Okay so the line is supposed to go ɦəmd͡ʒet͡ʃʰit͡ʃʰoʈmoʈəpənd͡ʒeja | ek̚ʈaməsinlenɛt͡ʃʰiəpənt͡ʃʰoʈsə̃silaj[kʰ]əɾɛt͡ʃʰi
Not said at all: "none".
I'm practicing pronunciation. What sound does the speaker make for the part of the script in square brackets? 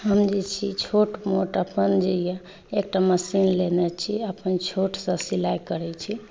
k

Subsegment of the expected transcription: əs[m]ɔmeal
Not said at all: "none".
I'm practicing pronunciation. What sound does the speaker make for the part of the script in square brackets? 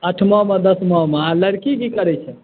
m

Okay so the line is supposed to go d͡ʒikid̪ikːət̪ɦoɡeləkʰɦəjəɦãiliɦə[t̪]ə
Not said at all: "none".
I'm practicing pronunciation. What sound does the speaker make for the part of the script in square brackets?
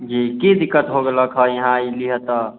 t̪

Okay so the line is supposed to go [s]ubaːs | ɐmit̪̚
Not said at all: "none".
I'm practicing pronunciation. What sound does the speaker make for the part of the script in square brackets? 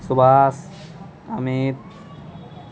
s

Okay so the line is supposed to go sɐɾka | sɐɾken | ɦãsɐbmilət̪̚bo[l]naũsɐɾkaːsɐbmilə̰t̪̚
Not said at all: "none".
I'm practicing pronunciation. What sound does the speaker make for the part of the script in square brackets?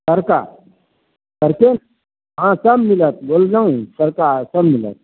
l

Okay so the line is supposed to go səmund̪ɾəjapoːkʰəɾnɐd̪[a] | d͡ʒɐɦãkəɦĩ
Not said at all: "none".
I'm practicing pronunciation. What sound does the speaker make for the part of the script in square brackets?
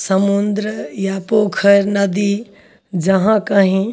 i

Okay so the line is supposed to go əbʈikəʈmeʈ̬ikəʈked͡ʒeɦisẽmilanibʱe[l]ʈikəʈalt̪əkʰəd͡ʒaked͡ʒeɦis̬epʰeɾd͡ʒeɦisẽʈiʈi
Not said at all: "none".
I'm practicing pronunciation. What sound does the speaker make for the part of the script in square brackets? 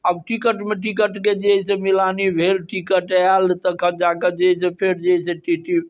l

